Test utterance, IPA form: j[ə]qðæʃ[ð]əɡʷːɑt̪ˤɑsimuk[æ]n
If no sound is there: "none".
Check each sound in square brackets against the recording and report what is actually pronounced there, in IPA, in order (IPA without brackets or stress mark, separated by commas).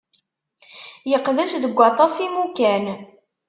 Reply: ə, ð, æ